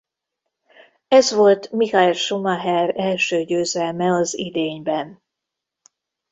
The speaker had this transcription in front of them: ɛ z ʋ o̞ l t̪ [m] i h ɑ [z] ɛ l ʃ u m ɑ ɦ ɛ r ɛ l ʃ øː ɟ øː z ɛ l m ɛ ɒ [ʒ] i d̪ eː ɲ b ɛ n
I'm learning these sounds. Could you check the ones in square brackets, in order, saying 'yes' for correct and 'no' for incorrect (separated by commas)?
yes, no, no